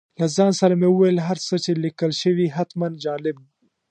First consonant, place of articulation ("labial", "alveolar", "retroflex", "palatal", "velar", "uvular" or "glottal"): alveolar